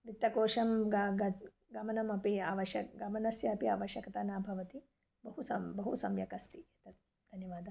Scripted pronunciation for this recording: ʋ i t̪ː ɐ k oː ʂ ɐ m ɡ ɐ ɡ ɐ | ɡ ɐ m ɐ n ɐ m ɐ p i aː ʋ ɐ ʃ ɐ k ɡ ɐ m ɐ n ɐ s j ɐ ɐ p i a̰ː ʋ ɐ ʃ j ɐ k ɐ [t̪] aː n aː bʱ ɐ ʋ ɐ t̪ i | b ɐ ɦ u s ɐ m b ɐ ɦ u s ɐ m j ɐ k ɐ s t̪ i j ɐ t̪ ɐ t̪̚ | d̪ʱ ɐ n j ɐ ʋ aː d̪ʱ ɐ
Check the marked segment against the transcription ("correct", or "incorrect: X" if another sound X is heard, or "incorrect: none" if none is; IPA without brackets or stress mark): correct